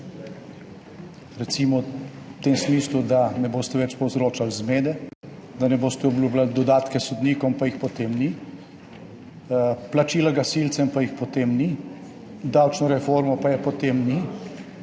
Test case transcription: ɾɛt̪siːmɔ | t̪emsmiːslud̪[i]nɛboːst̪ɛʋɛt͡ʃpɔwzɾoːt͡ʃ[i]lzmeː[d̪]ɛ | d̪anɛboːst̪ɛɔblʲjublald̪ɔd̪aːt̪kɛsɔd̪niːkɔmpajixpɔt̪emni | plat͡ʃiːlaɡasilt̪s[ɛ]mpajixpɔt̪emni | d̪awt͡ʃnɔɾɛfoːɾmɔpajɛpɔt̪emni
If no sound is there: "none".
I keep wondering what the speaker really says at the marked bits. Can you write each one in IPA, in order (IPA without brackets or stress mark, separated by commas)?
a, a, d̪, ɛ